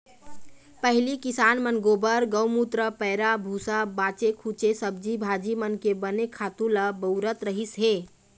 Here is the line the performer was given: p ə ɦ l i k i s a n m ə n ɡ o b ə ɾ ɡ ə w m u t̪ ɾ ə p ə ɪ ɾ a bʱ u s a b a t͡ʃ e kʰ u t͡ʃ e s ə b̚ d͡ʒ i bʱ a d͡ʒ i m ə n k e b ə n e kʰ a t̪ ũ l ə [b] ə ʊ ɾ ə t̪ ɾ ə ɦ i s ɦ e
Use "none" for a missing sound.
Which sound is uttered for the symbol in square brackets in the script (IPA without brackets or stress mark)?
b